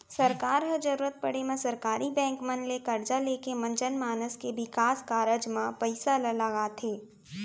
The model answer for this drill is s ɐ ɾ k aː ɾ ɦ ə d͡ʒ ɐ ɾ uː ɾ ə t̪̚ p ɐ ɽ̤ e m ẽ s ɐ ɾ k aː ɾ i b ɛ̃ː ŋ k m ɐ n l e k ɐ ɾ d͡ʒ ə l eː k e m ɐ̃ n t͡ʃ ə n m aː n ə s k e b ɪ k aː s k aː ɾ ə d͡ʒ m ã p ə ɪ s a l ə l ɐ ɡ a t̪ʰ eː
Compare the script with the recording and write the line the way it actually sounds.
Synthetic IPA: s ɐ ɾ k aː ɾ ɦ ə d͡ʒ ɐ ɾ uː ɾ ə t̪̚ p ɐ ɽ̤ e m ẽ s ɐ ɾ k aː ɾ i b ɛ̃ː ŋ k m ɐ n l e k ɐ ɾ d͡ʒ a l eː k e m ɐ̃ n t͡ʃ ə n m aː n ə s k e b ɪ k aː s k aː ɾ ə d͡ʒ m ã p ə ɪ s a l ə l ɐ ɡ a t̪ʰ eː

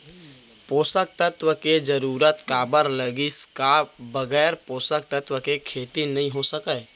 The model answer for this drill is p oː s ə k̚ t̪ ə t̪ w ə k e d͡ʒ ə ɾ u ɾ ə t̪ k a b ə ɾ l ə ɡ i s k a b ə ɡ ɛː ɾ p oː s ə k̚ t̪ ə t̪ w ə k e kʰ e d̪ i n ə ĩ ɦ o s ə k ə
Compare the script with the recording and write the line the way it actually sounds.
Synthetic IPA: p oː s ə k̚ t̪ ə t̪ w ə k e d͡ʒ ə ɾ u ɾ ə t̪ k a b ə ɾ l ə ɡ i s k a b ə ɡ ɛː ɾ p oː s ə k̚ t̪ ə t̪ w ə k e kʰ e t̪ i n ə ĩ ɦ o s ə k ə

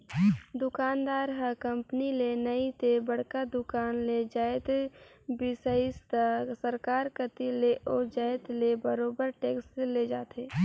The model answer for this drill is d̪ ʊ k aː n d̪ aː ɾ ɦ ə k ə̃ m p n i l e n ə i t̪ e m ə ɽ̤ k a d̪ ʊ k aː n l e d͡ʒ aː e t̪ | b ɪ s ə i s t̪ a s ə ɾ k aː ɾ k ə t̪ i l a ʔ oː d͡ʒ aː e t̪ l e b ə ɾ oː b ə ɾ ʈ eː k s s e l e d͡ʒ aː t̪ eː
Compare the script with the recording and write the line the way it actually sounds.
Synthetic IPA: d̪ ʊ k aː n d̪ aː ɾ ɦ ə k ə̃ m p n i l e n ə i t̪ e b ə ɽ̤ k a d̪ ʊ k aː n l e d͡ʒ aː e t̪ | b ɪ s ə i s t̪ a s ə ɾ k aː ɾ k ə t̪ i l e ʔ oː d͡ʒ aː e t̪ l e b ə ɾ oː b ə ɾ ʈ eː k s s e l e d͡ʒ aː t̪ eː

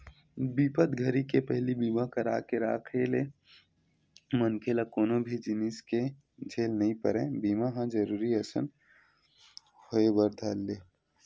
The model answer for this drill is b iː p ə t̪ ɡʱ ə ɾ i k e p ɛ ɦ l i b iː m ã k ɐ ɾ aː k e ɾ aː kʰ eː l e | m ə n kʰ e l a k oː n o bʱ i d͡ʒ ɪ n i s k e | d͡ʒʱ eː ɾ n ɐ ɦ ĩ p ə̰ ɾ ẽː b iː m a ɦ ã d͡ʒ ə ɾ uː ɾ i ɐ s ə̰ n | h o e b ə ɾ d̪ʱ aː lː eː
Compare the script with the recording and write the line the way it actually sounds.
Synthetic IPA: b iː p ə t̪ ɡʱ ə ɾ i k e p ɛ ɦ l i b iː m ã k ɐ ɾ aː k e ɾ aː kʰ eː l e | m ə n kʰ e l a k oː n o bʱ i d͡ʒ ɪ n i s k e | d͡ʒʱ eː l n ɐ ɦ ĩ p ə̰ ɾ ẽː b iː m a ɦ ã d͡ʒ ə ɾ uː ɾ i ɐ s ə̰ n | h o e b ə ɾ d̪ʱ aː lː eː

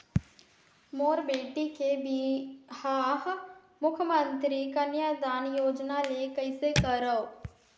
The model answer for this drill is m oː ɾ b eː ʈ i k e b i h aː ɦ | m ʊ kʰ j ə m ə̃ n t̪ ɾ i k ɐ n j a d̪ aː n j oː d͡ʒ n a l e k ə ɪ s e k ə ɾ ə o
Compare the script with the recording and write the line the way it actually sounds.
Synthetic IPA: m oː ɾ b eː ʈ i k e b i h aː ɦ | m ʊ kʰ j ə m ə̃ n t̪ ɾ i k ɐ n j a d̪ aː n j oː d͡ʒ n a l e k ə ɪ s e k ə ɾ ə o

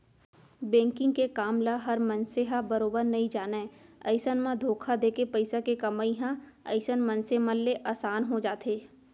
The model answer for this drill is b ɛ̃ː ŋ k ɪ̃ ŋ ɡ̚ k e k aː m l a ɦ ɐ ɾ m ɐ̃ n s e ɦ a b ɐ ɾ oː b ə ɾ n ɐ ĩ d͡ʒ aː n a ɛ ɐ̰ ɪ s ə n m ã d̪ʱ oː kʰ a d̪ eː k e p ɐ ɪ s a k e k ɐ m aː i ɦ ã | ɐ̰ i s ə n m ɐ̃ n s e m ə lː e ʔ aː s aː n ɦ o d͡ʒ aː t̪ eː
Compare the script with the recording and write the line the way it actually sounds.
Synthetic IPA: b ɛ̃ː ŋ k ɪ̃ ŋ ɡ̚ k e k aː m l a ɦ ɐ ɾ m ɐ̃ n s e ɦ a b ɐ ɾ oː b ə ɾ n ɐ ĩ d͡ʒ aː n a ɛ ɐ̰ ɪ s ə n m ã d̪ʱ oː kʰ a d̪ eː k e p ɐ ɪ s a k e k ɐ m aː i ɦ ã | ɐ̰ ɪ s ə n m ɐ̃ n s e m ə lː e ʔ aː s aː n ɦ o d͡ʒ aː t̪ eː

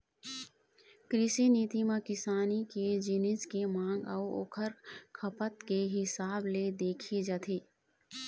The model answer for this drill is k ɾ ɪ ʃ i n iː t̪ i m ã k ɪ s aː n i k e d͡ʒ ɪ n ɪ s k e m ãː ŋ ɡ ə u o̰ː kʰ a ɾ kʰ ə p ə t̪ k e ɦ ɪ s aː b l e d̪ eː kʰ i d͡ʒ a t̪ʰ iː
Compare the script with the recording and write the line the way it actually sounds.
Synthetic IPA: k ɾ ɪ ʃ i n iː t̪ i m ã k ɪ s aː n i k e d͡ʒ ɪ n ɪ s k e m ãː ŋ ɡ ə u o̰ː kʰ ə ɾ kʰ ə p ə t̪ k e ɦ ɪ s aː b l e d̪ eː kʰ i d͡ʒ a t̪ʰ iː

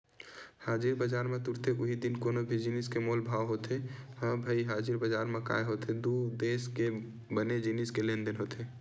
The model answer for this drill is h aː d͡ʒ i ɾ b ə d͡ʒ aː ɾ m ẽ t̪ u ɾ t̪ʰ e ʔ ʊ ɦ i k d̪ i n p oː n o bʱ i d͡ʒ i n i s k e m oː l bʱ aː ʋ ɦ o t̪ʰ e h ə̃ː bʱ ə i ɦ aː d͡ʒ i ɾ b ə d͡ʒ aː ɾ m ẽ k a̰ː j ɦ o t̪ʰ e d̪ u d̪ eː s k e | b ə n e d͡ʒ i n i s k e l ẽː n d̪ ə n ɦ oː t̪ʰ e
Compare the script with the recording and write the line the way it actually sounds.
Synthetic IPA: h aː d͡ʒ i ɾ b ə d͡ʒ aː ɾ m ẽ t̪ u ɾ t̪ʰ e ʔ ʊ ɦ i d̪ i n k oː n o bʱ i d͡ʒ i n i s k e m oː l bʱ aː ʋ ɦ o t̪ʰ e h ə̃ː bʱ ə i ɦ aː d͡ʒ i ɾ b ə d͡ʒ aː ɾ m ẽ k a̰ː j ɦ o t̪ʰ e d̪ u d̪ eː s k e | b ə n e d͡ʒ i n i s k e l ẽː n d̪ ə n ɦ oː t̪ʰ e

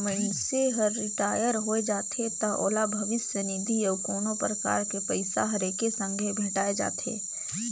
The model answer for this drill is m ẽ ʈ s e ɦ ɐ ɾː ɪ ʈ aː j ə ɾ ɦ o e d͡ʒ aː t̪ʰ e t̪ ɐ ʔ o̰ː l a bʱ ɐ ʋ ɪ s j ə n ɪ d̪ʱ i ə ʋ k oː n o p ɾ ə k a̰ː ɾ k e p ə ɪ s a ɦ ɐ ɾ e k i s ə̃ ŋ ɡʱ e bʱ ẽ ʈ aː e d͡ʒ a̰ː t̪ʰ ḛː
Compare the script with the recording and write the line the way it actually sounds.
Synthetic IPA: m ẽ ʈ s e ɦ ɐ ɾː ɪ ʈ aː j ə ɾ ɦ o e d͡ʒ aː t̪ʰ e t̪ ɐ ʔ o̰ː l a bʱ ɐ ʋ ɪ s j ə n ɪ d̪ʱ i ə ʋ k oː n o p ɾ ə k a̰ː ɾ k e p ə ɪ s a ɦ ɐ ɾ e k e s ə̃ ŋ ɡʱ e bʱ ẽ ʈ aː e d͡ʒ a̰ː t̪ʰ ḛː

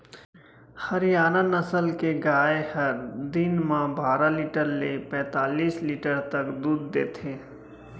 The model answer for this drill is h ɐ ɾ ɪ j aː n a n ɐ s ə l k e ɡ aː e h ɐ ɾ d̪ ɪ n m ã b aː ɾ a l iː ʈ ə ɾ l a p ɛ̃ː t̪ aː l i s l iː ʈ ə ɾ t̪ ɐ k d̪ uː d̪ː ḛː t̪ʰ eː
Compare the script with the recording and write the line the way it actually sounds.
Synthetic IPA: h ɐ ɾ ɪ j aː n a n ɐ s ə l k e ɡ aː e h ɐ ɾ d̪ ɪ n m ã b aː ɾ a l iː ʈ ə ɾ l e p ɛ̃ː t̪ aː l iː s l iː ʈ ə ɾ t̪ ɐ k d̪ uː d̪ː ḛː t̪ʰ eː

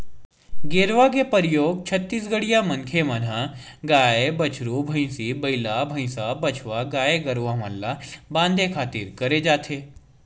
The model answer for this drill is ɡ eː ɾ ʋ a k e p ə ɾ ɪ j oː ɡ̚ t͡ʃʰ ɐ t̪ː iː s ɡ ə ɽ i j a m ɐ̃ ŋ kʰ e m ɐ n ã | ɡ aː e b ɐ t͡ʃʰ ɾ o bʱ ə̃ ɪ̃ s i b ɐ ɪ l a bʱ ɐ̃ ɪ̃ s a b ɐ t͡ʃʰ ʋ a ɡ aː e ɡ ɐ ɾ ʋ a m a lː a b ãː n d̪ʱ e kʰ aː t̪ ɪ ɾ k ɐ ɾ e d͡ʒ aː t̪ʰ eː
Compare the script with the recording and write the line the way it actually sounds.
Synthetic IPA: ɡ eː ɾ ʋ a k e p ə ɾ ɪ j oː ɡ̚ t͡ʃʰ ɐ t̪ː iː s ɡ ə ɽ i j a m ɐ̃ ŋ kʰ e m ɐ n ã | ɡ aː e b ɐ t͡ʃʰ ɾ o bʱ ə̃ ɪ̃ s i b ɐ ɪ l a bʱ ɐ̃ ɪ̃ s a b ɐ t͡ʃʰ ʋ a ɡ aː e ɡ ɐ ɾ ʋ a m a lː a b ãː n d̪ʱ e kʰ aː t̪ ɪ ɾ k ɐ ɾ e d͡ʒ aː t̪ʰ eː

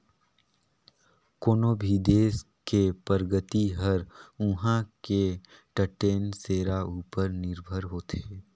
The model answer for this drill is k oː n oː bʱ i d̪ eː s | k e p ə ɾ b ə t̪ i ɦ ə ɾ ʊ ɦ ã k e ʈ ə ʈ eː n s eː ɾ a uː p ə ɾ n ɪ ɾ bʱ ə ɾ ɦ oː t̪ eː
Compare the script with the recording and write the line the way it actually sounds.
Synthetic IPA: k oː n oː bʱ i d̪ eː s | k e p ə ɾ ɡ ə t̪ i ɦ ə ɾ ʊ ɦ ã k e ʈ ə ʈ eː n s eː ɾ a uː p ə ɾ n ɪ ɾ bʱ ə ɾ ɦ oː t̪ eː

